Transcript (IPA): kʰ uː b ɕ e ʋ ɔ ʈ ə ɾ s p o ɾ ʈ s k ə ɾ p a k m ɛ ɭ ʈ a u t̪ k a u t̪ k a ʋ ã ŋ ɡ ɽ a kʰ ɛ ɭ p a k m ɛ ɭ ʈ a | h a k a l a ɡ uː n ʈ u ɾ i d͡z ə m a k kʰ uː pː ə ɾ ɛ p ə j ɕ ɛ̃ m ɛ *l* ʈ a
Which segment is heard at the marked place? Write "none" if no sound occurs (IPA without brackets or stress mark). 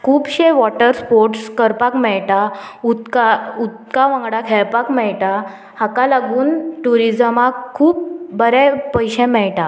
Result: ɭ